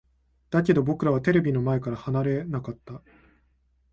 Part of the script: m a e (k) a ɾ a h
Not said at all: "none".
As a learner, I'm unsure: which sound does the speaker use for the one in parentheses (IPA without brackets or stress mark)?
k